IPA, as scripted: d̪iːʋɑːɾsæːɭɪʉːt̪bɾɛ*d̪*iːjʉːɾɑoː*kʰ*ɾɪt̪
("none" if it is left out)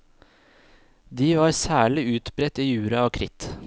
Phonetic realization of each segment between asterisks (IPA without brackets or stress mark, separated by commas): t̪, kʰ